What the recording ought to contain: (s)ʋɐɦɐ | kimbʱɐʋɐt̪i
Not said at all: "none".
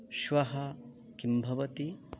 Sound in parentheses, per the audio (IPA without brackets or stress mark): ʃ